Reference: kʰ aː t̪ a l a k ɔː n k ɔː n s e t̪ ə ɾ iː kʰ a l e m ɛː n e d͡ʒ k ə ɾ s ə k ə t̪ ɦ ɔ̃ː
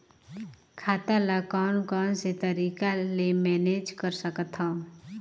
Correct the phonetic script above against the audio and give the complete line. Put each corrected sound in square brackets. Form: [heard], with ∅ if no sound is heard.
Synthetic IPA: kʰ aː t̪ a l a k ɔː n k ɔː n s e t̪ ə ɾ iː [k] a l e m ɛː n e d͡ʒ k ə ɾ s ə k ə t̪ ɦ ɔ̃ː